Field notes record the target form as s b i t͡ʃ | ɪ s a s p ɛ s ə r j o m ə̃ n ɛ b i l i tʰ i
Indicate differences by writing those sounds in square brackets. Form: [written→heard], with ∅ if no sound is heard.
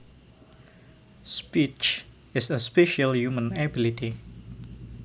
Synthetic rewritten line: s [b→p] i t͡ʃ | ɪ s [a→ə] s p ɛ [s→ʃ] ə [r→l] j [o→u] m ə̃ n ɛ b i l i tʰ i